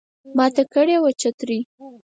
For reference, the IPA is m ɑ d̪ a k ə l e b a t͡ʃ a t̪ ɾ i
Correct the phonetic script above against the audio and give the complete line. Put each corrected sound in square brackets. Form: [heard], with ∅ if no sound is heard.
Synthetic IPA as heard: m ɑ [t̪] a k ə [ɽ] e [w] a t͡ʃ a t̪ ɾ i